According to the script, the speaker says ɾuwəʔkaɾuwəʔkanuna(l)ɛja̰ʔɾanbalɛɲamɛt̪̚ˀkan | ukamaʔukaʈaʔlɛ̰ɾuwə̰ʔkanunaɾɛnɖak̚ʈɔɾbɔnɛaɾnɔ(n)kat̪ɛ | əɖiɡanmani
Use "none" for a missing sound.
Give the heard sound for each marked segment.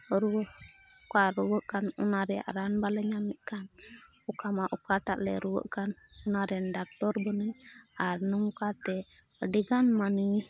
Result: ɾ, ŋ

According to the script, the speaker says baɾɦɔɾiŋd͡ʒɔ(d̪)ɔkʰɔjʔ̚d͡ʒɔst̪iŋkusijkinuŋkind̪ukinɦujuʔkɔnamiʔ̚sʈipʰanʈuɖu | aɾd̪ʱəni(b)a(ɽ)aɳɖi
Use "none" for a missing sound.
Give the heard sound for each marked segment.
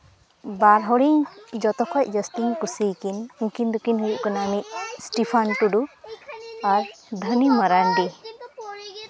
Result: t̪, m, ɾ

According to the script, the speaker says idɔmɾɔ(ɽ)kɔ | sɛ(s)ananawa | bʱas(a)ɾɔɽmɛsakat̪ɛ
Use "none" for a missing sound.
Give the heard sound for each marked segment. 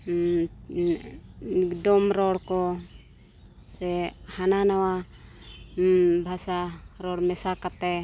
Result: ɽ, h, a

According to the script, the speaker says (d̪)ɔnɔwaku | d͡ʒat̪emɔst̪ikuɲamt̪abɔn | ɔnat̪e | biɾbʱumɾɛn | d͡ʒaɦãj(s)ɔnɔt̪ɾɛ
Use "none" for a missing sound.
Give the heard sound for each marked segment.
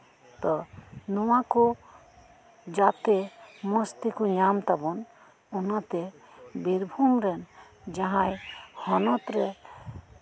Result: t̪, h

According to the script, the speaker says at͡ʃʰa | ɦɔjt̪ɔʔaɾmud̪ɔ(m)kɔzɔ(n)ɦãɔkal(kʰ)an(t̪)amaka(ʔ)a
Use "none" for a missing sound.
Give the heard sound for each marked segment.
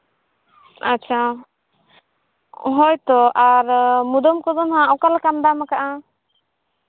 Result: m, n, k, d̪, ʔ

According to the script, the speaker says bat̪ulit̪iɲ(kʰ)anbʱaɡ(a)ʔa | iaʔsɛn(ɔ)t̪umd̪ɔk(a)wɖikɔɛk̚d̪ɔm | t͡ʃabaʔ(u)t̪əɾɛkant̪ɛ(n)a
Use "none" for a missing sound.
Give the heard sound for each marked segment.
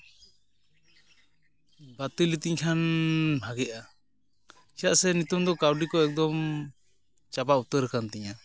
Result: kʰ, ɛ, u, a, u, ɲ

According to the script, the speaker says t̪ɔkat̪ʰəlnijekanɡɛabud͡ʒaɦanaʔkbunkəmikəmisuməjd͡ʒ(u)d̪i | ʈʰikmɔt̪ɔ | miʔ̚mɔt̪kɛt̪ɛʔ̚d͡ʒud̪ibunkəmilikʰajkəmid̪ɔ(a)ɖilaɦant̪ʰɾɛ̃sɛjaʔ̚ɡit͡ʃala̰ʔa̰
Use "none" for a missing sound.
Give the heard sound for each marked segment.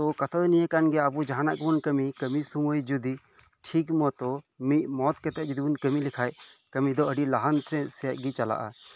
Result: u, ə

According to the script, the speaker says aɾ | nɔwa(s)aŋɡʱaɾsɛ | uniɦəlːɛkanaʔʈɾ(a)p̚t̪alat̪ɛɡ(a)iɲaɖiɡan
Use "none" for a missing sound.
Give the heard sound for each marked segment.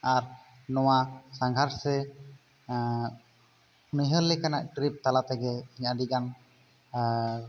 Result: s, i, ɛ

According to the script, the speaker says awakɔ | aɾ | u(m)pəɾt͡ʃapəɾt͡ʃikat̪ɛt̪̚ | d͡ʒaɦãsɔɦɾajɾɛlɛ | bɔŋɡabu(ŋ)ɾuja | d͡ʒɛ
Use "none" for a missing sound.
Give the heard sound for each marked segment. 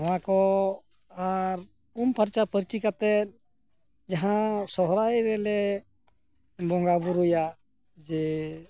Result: m, none

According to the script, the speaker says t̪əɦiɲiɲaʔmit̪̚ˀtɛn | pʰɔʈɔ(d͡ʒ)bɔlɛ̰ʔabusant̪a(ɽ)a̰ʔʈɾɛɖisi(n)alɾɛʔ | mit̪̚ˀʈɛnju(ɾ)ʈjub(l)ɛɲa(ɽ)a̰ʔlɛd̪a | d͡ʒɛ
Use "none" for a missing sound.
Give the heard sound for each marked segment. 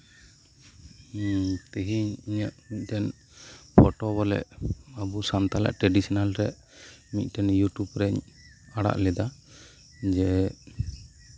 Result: none, l, n, none, ɾ, ɽ

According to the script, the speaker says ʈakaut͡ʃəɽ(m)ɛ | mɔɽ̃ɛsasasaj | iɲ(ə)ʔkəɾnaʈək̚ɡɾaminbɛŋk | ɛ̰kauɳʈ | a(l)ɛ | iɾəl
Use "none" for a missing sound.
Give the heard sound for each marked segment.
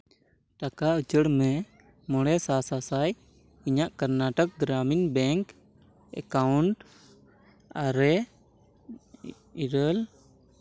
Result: m, a, ɾ

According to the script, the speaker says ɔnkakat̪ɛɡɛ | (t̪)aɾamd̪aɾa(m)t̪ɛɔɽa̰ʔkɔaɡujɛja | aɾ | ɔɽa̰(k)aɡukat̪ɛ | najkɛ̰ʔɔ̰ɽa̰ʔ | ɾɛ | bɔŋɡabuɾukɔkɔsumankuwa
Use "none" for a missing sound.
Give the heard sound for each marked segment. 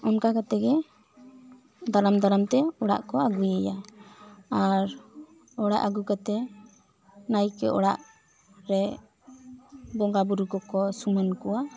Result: d̪, m, ʔ

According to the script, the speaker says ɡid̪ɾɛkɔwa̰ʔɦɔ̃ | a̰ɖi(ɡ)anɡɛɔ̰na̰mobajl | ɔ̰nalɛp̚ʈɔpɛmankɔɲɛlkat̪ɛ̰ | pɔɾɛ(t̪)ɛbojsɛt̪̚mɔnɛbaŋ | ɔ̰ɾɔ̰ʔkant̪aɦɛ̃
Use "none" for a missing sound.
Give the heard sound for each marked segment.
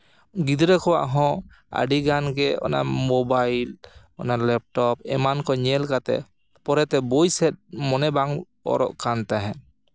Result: ɡ, t̪

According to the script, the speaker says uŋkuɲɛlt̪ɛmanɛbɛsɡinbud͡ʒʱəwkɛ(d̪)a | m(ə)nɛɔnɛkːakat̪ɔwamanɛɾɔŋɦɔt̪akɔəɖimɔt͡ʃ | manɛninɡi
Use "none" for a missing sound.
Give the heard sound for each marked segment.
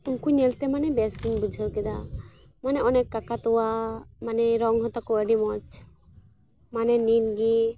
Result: d̪, a

